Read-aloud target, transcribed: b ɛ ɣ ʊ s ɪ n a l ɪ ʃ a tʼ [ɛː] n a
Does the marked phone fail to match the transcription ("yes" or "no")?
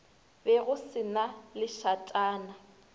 yes